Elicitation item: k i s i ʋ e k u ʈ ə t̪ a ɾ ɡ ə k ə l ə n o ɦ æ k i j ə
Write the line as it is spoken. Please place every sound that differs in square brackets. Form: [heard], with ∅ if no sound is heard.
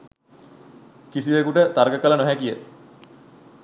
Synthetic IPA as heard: k i s i ʋ e k u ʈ ə t̪ a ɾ ɡ ə k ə l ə n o ɦ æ k i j ə